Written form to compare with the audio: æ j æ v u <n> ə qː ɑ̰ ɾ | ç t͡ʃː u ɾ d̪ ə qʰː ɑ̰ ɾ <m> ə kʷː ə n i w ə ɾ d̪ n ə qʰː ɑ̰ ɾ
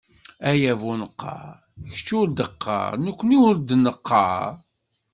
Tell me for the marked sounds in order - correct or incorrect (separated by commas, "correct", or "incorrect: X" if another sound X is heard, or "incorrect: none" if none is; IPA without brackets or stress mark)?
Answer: correct, incorrect: n